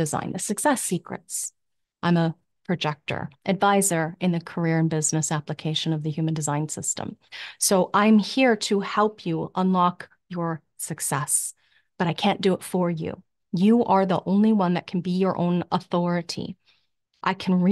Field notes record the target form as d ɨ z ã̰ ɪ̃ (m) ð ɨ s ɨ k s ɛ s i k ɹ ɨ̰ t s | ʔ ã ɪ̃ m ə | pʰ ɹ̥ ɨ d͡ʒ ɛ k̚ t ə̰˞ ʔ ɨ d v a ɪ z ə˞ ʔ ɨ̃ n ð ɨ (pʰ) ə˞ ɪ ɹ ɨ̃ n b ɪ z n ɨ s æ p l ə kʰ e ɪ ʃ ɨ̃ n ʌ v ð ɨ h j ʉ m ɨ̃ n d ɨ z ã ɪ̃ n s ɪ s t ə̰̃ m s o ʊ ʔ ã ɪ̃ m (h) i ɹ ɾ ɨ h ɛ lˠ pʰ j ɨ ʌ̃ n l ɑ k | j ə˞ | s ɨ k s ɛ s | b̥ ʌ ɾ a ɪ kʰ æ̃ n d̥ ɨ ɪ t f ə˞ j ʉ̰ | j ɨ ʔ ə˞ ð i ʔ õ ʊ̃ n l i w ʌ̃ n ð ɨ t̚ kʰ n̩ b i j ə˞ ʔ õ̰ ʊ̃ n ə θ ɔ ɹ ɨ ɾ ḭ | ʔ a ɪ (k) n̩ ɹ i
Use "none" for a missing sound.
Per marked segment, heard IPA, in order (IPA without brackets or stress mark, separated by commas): n, kʰ, h, kʰ